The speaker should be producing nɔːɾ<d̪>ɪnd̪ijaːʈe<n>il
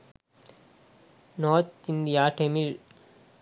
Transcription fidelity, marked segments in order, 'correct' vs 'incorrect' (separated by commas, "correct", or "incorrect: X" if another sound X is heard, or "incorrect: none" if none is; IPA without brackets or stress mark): incorrect: t̪, incorrect: m